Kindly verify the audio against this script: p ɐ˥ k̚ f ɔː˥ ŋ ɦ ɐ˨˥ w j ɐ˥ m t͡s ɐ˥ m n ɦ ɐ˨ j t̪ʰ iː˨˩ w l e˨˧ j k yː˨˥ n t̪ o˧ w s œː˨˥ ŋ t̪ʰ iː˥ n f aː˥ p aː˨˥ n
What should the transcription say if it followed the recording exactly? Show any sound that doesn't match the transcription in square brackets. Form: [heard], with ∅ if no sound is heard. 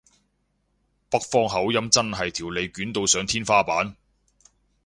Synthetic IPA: p ɐ˥ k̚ f ɔː˥ ŋ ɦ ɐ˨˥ w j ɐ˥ m t͡s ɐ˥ [∅] n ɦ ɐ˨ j t̪ʰ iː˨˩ w l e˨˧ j k yː˨˥ n t̪ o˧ w s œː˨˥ ŋ t̪ʰ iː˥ n f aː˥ p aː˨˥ n